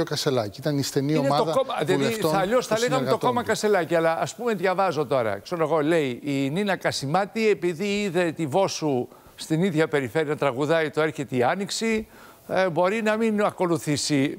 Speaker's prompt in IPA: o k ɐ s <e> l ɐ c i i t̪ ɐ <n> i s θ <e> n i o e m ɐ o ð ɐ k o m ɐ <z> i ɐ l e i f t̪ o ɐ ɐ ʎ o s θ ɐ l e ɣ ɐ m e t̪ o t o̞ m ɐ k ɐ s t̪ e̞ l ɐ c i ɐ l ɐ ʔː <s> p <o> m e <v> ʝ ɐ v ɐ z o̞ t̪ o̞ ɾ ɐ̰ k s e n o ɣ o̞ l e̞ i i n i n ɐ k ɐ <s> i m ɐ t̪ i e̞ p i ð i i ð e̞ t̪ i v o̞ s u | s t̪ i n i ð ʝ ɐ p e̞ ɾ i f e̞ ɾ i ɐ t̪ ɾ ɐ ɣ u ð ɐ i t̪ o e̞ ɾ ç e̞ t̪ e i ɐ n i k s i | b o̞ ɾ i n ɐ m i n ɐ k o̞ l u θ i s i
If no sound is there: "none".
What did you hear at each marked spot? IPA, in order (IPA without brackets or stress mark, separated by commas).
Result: e, n, e, ð, s, u, ð, s